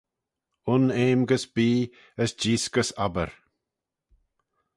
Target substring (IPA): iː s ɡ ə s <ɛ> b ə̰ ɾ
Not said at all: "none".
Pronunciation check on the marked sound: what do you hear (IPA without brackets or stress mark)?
a